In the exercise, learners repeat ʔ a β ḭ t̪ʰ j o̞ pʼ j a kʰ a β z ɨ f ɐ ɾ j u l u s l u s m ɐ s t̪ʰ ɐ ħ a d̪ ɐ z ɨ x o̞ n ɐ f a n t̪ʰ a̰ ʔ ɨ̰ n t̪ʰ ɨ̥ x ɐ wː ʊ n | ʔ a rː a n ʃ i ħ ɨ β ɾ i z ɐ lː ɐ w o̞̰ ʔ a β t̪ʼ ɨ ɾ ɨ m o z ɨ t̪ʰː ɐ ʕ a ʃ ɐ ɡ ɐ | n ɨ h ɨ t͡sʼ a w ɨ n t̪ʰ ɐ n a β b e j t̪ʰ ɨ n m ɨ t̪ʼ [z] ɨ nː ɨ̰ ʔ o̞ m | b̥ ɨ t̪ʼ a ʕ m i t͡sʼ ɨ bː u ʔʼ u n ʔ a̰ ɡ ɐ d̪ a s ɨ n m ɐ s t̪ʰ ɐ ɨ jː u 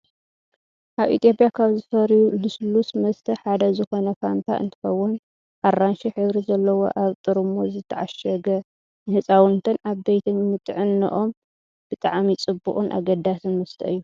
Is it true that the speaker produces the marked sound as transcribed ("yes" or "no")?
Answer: no